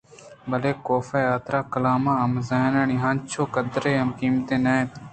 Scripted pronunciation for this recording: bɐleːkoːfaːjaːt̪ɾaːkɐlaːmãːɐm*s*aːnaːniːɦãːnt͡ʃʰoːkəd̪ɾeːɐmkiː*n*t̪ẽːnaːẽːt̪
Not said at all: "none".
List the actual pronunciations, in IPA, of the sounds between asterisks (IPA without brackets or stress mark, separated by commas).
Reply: z, m